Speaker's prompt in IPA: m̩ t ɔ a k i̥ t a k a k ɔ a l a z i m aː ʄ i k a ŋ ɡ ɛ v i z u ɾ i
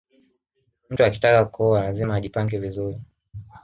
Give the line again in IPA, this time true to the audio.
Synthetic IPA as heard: m̩ t u a k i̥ t a k a k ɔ a l a z i m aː ʄ i p a ŋ ɡ ɛ v i z u ɾ i